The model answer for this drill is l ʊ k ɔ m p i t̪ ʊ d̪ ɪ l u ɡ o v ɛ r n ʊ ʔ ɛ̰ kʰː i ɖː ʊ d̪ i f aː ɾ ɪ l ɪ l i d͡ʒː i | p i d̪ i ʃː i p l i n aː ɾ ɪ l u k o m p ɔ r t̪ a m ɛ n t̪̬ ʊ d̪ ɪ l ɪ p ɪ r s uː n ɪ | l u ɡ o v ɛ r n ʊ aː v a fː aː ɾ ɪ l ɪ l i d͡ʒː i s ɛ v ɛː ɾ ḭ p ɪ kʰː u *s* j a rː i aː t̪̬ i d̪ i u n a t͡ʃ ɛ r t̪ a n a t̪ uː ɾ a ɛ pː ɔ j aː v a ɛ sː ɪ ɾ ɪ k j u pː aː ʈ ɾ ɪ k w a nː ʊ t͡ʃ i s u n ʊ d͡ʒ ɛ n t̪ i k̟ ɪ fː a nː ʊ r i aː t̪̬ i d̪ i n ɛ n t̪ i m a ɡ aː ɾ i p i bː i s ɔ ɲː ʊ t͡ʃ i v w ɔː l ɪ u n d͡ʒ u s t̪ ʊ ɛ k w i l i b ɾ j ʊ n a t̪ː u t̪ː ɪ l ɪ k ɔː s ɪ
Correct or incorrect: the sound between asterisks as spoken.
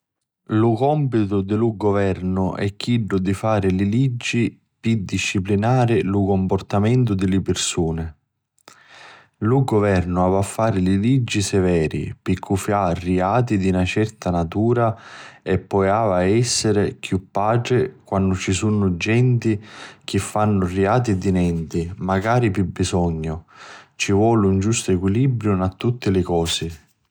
incorrect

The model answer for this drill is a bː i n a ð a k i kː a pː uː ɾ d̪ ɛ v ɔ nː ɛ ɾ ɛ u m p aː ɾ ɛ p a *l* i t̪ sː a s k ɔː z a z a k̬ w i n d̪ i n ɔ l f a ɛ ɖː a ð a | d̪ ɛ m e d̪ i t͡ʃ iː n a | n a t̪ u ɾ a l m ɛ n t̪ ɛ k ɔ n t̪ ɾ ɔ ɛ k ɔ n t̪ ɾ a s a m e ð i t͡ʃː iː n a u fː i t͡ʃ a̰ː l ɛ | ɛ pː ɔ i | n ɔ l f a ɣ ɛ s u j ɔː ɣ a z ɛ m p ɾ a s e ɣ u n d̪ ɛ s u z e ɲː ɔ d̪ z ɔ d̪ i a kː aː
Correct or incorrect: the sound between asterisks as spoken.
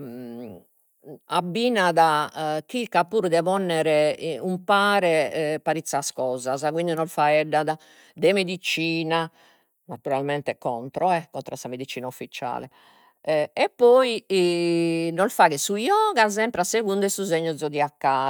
incorrect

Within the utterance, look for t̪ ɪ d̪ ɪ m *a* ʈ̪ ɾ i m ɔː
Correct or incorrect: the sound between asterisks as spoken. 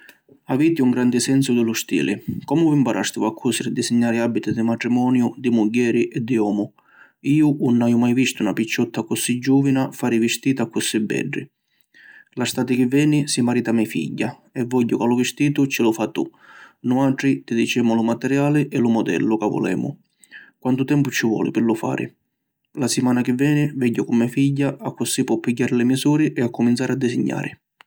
correct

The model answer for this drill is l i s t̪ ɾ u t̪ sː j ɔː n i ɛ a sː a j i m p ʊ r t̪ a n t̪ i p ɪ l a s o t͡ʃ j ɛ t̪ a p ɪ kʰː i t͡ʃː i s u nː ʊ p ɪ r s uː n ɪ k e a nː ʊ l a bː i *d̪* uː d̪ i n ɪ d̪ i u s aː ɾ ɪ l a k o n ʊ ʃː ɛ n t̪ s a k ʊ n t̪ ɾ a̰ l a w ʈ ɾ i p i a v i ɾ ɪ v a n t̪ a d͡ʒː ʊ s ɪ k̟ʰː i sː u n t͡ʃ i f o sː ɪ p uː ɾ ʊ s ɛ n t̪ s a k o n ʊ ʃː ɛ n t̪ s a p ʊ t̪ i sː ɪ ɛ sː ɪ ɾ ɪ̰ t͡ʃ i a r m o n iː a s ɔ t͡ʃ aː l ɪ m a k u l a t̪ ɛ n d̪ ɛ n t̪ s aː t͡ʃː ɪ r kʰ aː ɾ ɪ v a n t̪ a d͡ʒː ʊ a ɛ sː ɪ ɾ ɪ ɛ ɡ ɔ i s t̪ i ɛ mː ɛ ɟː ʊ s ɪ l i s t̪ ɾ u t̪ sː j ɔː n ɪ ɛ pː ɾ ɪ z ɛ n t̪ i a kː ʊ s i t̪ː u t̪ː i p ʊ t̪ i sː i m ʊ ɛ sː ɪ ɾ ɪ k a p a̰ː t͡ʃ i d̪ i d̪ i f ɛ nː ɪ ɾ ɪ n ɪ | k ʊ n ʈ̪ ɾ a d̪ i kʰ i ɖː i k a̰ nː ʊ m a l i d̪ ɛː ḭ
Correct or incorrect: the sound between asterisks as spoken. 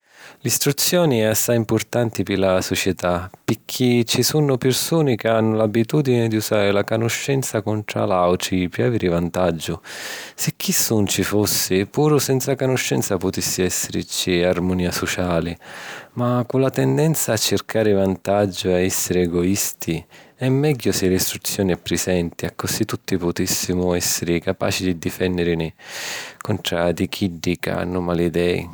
incorrect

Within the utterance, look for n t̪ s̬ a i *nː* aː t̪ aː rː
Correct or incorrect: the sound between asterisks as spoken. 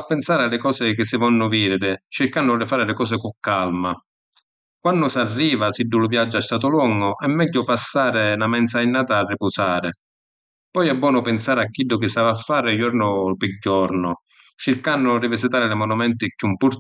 correct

